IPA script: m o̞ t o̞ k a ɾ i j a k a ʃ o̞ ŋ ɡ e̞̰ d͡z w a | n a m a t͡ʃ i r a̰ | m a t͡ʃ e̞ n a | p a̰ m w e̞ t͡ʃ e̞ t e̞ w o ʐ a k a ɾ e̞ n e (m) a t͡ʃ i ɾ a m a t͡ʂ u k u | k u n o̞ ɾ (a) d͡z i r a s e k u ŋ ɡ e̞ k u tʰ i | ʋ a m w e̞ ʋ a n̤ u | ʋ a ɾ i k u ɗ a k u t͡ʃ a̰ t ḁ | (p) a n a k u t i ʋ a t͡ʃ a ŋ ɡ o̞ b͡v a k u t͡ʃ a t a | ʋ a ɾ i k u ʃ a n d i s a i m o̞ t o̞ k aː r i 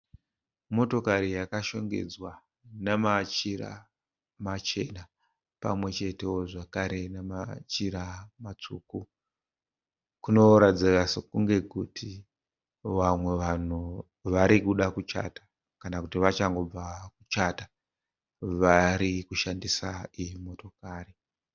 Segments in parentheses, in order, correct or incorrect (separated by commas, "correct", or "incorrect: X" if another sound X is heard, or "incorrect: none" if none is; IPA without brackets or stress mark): correct, correct, incorrect: k